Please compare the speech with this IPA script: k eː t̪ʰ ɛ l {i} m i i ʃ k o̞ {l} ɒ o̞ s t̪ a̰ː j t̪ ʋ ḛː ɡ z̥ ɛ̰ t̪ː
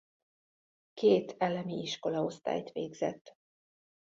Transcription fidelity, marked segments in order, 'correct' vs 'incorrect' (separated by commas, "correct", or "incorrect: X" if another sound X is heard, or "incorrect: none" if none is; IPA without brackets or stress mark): incorrect: ɛ, correct